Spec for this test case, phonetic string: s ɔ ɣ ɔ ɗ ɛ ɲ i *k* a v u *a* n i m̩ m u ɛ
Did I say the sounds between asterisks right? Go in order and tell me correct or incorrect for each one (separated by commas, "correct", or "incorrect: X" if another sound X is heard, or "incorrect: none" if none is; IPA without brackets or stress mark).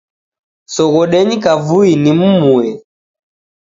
correct, incorrect: i